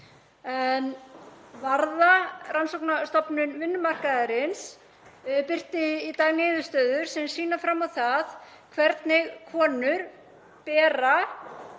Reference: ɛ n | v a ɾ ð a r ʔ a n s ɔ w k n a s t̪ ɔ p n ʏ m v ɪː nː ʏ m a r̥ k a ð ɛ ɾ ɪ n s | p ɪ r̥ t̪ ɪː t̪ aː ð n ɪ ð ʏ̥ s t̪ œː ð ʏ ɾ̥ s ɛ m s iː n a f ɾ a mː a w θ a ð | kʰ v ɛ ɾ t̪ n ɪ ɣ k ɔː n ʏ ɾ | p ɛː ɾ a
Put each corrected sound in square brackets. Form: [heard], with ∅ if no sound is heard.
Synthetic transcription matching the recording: ɛ n | v a ɾ ð a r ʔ a n s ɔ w k n a s t̪ ɔ p n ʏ [n] v [ɪ] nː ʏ m a r̥ k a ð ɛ ɾ ɪ n s | p ɪ r̥ t̪ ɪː t̪ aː [ɣ] n [ɪː] ð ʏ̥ s t̪ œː ð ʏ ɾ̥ s ɛ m s iː n a f ɾ a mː a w θ a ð | kʰ v ɛ ɾ t̪ n ɪ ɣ [kʰ] ɔː n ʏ ɾ | p ɛː ɾ a

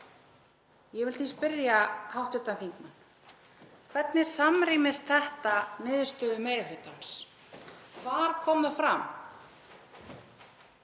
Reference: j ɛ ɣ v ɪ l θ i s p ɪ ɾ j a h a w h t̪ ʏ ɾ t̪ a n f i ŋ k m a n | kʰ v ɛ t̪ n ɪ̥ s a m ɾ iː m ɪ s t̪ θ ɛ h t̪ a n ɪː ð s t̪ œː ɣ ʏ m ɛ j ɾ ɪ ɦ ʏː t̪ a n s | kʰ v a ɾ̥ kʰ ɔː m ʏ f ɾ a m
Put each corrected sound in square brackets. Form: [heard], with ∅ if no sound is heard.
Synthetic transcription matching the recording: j ɛ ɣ v ɪ l θ i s p ɪ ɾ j a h a w h t̪ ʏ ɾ t̪ a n [θ] i ŋ k m a n | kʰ v ɛ t̪ n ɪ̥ s a m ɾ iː m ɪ s t̪ θ ɛ h t̪ a n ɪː ð s t̪ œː [ð] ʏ m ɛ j ɾ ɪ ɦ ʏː t̪ a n s | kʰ v a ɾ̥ kʰ ɔː m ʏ f ɾ a m

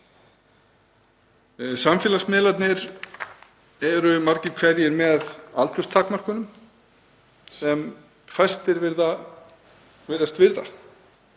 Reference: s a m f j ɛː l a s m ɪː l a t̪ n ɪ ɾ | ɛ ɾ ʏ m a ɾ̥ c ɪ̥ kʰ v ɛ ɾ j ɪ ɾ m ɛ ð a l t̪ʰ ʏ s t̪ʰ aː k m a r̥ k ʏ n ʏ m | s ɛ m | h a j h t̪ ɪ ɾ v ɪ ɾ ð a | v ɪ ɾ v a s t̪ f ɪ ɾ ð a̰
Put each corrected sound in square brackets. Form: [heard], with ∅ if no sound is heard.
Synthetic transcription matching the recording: s a m f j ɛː l a s m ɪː l a t̪ n ɪ ɾ | ɛ ɾ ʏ m a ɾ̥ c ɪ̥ kʰ v ɛ ɾ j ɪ ɾ m ɛ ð a l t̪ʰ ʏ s t̪ʰ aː k m a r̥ k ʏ n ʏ m | s ɛ m | [f] a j [s] t̪ ɪ ɾ v ɪ ɾ ð a | v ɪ ɾ [ð] a s t̪ [v] ɪ ɾ ð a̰

